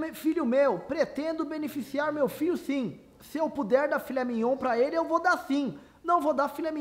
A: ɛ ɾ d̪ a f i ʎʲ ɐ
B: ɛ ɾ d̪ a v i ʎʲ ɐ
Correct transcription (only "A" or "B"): A